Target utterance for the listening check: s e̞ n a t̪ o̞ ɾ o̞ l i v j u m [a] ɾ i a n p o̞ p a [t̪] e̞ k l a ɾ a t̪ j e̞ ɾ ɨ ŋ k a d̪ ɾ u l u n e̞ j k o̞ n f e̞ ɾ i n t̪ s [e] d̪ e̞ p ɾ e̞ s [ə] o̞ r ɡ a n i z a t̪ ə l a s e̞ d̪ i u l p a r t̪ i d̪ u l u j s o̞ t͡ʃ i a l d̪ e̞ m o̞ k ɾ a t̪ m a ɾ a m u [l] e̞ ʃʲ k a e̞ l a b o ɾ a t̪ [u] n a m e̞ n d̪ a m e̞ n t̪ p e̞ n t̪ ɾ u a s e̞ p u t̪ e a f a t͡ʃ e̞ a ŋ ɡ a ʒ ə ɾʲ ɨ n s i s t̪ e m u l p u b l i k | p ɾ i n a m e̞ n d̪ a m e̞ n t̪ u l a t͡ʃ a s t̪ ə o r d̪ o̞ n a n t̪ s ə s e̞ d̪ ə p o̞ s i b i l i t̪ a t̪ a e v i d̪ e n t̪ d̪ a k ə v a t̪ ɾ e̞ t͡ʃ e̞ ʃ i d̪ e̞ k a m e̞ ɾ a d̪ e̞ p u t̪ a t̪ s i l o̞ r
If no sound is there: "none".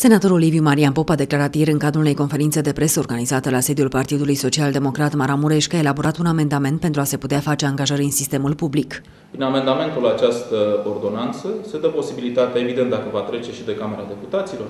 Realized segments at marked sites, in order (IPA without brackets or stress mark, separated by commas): a, d̪, e, ə, ɾ, u